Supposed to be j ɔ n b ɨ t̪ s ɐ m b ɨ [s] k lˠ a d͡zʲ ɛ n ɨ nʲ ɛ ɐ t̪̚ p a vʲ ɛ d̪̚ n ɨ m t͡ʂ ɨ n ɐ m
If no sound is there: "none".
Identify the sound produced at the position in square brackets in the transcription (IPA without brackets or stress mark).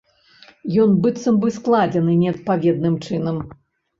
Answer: s